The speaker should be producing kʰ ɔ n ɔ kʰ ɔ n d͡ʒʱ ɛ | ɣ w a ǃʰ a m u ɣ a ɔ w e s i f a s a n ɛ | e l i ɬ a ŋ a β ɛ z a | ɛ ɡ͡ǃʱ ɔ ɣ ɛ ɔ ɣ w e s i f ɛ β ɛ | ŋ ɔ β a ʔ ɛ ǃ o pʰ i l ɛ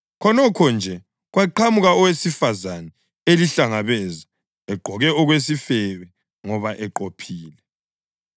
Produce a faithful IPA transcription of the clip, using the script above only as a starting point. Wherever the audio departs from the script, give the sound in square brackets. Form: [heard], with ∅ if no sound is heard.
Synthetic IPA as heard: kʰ ɔ n ɔ kʰ ɔ n d͡ʒʱ ɛ | ɣ w a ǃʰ a m u ɣ a ɔ w e s i f a [z] a n ɛ | e l i ɬ a ŋ a β ɛ z a | ɛ ɡ͡ǃʱ ɔ ɣ ɛ ɔ ɣ w e s i f ɛ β ɛ | ŋ ɔ β a ʔ ɛ ǃ o pʰ [iː] l ɛ